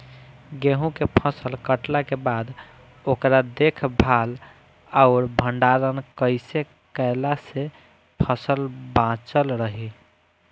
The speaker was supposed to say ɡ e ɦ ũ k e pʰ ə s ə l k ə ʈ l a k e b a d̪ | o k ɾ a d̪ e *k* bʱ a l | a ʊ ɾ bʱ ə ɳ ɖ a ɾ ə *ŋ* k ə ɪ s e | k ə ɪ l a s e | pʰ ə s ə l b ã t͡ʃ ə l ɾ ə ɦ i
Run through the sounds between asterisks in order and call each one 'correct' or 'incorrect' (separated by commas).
incorrect, incorrect